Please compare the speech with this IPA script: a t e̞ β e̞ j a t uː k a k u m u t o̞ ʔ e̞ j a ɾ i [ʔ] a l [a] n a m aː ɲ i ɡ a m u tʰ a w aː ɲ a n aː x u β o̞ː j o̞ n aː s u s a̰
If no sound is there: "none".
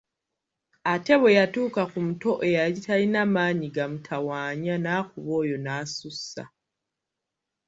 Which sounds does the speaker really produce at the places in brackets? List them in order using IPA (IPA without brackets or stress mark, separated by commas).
t, i